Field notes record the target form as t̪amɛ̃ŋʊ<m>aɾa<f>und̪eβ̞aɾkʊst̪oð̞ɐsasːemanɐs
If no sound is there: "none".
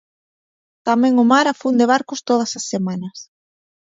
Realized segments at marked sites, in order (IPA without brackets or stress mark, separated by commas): m, f